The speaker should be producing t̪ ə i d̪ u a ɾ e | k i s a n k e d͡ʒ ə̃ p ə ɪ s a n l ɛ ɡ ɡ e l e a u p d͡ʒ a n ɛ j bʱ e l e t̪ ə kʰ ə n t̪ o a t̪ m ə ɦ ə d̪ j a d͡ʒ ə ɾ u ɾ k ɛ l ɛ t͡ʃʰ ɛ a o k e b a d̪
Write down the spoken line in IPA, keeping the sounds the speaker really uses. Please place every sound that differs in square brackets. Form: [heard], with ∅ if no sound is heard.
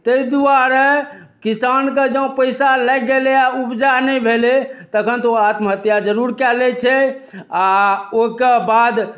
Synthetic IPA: t̪ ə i d̪ u a ɾ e | k i s a n k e d͡ʒ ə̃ p ə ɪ s a [∅] l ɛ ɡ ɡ e l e a u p d͡ʒ a n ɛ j bʱ e l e t̪ ə kʰ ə n t̪ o a t̪ m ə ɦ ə [t̪] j a d͡ʒ ə ɾ u ɾ k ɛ l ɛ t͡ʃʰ ɛ a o k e b a d̪